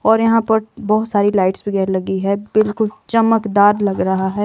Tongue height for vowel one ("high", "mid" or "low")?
mid